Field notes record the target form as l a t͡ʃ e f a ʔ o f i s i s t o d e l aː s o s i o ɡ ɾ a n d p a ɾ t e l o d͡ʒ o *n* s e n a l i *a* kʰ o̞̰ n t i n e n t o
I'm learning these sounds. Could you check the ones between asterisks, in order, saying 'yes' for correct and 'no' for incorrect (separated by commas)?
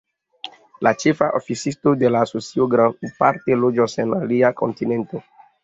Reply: no, yes